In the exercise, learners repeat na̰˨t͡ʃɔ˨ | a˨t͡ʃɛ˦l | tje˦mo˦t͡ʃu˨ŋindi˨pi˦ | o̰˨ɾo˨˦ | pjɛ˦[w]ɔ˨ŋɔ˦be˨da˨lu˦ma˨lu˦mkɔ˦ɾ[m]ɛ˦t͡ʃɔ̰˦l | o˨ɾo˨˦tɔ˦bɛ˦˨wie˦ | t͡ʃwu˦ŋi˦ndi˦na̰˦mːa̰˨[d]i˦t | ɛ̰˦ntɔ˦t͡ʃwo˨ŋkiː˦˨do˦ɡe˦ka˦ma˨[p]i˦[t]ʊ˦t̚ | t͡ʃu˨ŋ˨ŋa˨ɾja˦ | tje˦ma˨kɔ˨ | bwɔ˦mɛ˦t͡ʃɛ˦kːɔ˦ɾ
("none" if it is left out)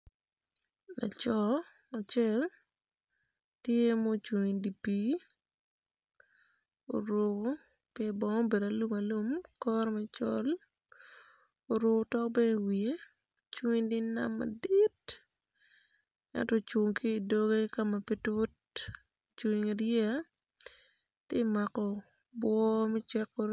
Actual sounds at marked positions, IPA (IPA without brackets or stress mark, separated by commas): b, m, d, p, t